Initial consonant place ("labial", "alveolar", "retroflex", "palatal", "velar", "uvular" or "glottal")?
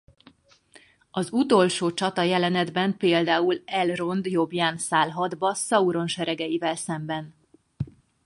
alveolar